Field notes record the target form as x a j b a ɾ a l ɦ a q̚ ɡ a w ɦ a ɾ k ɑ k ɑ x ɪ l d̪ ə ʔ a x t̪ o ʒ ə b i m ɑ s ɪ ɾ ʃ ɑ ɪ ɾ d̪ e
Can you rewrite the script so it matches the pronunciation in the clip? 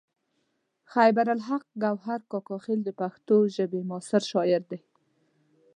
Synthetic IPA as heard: x a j b a ɾ a l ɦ a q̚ ɡ a w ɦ a ɾ k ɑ k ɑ x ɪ l d̪ ə p a x t̪ o ʒ ə b e m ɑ s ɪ ɾ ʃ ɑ ɪ ɾ d̪ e